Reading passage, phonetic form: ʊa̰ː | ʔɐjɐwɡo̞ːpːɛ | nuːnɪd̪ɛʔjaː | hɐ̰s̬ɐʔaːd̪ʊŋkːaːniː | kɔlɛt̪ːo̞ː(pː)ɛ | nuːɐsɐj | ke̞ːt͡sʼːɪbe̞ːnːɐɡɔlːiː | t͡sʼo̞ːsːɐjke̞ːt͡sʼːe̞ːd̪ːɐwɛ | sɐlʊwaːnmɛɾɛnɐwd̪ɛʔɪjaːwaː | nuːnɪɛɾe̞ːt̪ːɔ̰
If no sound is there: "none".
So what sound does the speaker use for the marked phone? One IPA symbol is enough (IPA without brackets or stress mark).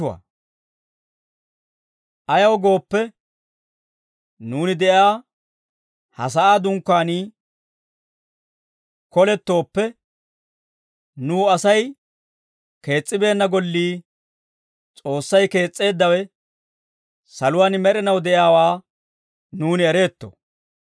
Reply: pː